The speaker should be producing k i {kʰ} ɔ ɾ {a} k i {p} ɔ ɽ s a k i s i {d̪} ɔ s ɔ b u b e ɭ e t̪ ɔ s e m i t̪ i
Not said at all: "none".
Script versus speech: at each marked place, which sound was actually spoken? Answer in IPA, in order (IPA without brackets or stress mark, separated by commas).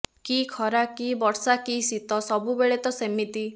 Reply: kʰ, a, b, t̪